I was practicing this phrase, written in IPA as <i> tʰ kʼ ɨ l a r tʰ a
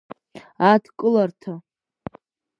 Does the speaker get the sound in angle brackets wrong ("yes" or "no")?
yes